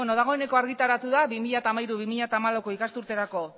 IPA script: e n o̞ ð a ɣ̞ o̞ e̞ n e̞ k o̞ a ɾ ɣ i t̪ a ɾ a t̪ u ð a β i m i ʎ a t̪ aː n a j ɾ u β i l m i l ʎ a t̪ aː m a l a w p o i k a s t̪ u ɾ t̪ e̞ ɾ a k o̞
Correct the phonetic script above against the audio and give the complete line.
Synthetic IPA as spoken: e n o̞ ð a ɣ̞ o̞ e̞ n e̞ k o̞ a ɾ ɣ i t̪ a ɾ a t̪ u ð a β i m i ʎ a t̪ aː m a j ɾ u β i m i ʎ a t̪ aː m a l a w k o i k a s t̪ u ɾ t̪ e̞ ɾ a k o̞